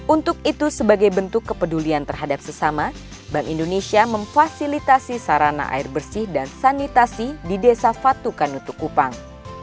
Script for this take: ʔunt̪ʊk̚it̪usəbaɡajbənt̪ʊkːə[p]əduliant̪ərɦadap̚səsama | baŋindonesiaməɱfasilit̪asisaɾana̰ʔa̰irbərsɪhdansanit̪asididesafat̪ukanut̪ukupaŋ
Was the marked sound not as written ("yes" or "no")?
no